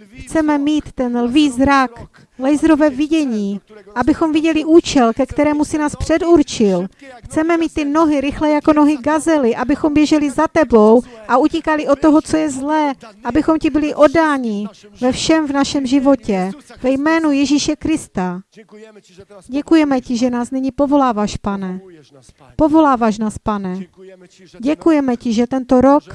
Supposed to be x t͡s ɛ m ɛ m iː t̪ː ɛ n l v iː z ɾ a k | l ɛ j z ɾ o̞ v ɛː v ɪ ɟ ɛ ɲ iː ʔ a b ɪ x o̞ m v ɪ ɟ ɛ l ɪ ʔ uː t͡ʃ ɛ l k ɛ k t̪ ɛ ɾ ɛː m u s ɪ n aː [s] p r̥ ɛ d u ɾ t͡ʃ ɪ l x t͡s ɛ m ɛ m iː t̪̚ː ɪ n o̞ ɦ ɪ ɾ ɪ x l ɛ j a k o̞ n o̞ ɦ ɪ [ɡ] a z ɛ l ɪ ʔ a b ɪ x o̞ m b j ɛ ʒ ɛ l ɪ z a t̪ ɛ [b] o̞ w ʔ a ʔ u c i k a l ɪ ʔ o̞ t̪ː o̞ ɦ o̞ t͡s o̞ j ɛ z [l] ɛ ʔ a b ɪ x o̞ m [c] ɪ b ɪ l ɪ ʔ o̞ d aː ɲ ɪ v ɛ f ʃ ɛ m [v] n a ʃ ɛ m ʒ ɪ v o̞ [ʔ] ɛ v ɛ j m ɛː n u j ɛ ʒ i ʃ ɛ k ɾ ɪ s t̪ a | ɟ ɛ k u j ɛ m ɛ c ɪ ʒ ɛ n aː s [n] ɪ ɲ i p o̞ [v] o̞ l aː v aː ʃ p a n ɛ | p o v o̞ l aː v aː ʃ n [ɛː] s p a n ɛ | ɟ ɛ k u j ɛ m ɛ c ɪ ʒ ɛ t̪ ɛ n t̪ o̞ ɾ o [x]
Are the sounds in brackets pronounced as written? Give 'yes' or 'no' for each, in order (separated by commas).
yes, yes, yes, yes, yes, yes, no, yes, yes, no, no